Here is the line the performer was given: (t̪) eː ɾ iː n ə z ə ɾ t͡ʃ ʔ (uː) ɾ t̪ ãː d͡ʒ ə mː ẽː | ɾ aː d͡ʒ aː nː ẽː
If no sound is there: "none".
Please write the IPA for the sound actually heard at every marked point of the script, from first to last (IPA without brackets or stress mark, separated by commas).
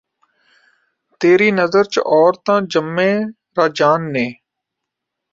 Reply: t̪, ɔː